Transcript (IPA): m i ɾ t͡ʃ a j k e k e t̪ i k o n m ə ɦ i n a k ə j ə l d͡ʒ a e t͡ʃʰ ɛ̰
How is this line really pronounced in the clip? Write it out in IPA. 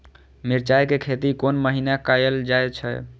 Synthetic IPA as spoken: m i ɾ t͡ʃ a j k e kʰ e t̪ i k o n m ə ɦ i n a k a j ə l d͡ʒ a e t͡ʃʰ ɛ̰